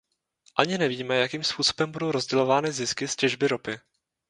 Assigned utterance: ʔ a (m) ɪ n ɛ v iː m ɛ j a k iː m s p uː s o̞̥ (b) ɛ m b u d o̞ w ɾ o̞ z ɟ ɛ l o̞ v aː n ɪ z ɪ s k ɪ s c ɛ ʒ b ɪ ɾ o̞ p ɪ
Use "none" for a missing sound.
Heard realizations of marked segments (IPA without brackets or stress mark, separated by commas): ɲ, b